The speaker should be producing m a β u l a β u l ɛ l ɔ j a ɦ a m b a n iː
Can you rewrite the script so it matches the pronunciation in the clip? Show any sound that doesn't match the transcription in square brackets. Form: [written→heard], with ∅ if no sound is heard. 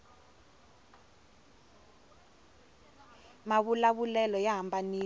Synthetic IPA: m a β u l a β u l ɛ l ɔ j a ɦ a m b a n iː